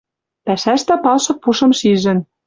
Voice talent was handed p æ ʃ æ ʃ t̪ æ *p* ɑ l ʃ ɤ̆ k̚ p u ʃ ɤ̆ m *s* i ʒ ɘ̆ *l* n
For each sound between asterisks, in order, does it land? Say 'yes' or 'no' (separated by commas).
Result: yes, no, no